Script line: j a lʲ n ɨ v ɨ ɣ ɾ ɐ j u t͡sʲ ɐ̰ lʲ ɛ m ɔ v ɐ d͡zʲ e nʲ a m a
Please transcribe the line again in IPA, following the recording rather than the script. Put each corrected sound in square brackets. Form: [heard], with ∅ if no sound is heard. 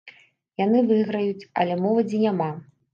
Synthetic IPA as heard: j a [∅] n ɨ v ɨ ɣ ɾ ɐ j u t͡sʲ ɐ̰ lʲ ɛ m ɔ v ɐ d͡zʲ [i] nʲ a m a